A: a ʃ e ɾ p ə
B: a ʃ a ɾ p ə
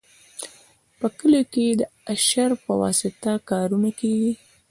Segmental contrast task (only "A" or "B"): B